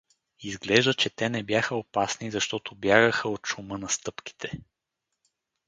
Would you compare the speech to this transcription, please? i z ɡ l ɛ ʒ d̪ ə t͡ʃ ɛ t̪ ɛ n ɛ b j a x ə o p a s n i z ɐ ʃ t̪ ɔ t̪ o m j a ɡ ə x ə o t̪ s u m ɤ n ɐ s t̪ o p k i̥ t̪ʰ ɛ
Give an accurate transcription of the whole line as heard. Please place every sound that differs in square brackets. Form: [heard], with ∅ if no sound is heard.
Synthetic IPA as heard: i z ɡ l ɛ ʒ d̪ ə t͡ʃ ɛ t̪ ɛ n ɛ b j a x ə o p a s n i z ɐ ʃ t̪ ɔ t̪ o [b] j a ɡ ə x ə o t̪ [ʃ] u m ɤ n ɐ s t̪ [ɤ] p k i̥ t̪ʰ ɛ